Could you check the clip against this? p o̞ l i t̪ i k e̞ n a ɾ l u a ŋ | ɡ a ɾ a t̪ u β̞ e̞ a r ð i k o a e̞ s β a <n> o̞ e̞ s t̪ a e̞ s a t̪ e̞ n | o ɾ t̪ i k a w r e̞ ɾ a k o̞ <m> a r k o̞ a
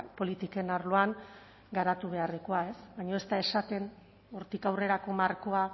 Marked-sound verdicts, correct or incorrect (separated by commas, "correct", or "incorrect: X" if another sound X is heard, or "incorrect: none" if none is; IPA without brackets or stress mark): incorrect: ɲ, correct